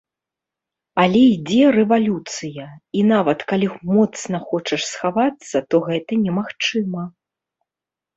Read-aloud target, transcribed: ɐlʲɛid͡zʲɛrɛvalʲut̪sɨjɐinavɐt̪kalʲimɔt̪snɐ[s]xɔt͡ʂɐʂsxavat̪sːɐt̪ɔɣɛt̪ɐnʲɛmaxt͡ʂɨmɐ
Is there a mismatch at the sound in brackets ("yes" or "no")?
yes